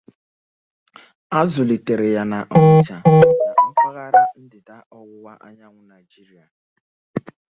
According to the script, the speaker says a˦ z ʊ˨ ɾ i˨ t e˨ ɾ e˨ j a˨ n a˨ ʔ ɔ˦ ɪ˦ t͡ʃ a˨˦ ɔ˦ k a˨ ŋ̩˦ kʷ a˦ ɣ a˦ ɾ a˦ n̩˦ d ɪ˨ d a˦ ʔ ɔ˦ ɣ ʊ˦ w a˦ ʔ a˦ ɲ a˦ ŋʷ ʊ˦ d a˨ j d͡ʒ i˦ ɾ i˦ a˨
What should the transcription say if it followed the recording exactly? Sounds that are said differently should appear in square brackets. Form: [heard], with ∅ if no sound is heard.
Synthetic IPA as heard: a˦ z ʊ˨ [l] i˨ t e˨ ɾ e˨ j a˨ n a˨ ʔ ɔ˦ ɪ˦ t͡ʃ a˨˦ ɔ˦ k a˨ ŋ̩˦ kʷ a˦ ɣ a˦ ɾ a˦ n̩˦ d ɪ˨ d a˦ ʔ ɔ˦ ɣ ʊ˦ w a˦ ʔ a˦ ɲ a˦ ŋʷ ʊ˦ [n] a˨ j d͡ʒ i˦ ɾ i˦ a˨